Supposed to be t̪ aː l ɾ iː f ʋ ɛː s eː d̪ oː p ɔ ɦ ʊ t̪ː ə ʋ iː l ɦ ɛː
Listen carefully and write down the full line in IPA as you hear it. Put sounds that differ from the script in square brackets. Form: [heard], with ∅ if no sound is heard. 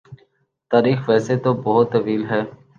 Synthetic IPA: t̪ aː [∅] ɾ iː [x] ʋ ɛː s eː [t̪] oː [b] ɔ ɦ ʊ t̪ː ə ʋ iː l ɦ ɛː

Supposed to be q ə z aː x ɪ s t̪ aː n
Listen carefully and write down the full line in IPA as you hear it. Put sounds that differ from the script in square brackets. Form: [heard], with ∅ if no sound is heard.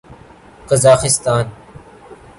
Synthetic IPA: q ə z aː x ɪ s t̪ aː n

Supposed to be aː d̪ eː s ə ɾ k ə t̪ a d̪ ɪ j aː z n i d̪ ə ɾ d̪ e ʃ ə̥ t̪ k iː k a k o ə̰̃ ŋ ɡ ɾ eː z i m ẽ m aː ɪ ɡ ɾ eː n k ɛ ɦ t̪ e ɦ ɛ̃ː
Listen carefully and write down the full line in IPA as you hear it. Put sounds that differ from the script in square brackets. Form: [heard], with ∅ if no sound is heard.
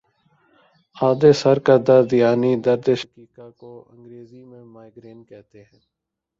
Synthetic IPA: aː d̪ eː s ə ɾ k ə [d̪] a d̪ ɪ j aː [∅] n i d̪ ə ɾ d̪ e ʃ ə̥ [∅] k iː k a k o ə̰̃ ŋ ɡ ɾ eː z i m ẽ m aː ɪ ɡ ɾ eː n k ɛ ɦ t̪ e ɦ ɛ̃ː

